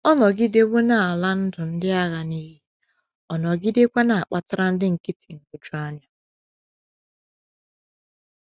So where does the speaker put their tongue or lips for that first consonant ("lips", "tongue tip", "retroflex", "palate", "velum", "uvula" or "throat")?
tongue tip